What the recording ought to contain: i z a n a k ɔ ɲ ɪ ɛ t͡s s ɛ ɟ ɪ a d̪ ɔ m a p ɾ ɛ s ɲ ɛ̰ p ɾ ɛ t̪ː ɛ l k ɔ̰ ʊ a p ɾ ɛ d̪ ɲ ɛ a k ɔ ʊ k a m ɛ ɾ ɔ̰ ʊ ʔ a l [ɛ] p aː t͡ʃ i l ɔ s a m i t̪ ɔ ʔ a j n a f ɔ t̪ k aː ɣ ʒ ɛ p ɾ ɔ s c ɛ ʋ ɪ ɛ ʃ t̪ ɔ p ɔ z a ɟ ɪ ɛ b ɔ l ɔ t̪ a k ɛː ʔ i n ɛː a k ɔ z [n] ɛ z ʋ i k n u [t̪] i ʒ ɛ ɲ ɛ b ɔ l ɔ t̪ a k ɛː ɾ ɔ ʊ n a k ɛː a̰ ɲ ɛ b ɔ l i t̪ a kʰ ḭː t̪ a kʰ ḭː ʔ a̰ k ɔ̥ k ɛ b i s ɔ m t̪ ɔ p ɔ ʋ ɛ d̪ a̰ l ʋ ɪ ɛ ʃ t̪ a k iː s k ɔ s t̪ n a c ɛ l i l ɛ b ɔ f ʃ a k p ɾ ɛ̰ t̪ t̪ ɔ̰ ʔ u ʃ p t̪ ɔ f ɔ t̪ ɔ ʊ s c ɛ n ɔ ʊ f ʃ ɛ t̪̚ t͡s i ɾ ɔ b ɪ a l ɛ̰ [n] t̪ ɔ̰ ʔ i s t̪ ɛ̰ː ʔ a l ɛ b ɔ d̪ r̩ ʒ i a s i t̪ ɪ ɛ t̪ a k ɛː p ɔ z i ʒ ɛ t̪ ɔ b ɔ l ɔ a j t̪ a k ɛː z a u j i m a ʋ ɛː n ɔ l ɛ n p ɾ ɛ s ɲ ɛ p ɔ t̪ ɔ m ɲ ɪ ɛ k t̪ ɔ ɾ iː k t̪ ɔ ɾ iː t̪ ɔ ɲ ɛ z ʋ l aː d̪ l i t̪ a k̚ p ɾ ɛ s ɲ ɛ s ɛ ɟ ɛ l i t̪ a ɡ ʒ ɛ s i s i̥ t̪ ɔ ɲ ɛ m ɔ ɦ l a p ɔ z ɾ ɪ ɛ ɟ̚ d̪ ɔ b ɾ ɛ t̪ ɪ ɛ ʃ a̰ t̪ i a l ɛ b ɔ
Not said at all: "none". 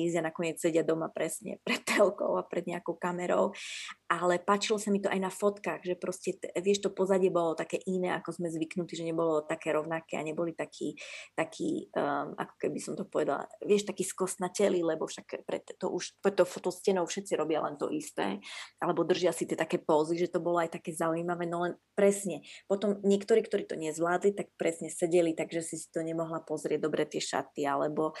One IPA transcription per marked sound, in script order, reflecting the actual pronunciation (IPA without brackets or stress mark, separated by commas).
ɛ, m, t̪, n